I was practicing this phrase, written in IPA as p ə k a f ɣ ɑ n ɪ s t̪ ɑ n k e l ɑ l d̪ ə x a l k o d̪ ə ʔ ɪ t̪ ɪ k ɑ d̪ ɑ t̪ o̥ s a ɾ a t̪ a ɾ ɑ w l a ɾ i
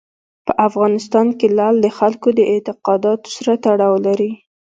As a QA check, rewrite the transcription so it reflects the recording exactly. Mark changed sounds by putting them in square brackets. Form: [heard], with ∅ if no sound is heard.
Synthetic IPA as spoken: p ə [ʔ] a f ɣ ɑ n ɪ s t̪ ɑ n k e l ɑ l d̪ ə x a l k o d̪ ə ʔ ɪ t̪ ɪ [q] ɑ d̪ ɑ t̪ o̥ s a ɾ a t̪ a [ɽ] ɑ w l a ɾ i